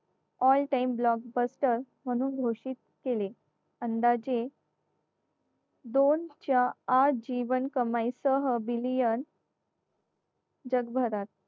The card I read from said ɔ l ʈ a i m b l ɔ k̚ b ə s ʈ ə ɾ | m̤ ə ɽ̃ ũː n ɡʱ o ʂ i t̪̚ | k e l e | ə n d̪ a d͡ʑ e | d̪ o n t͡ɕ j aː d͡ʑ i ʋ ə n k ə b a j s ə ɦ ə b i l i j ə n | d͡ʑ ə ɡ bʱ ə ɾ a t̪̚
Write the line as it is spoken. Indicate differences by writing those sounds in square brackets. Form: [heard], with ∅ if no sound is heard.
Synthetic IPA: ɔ l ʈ a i m b l ɔ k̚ b ə s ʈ ə ɾ | m̤ ə ɽ̃ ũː n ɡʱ o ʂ i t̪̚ | k e l e | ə n d̪ a d͡ʑ e | d̪ o n t͡ɕ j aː d͡ʑ i ʋ ə n k ə [m] a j s ə ɦ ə b i l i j ə n | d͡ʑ ə ɡ bʱ ə ɾ a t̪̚